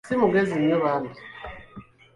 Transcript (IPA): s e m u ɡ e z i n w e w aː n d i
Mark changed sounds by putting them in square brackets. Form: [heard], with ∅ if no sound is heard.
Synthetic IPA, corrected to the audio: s [i] m u ɡ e z i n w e [β] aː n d i